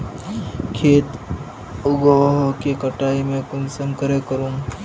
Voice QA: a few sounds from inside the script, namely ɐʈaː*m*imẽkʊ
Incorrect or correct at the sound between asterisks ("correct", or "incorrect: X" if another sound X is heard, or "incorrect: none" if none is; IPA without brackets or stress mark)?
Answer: incorrect: none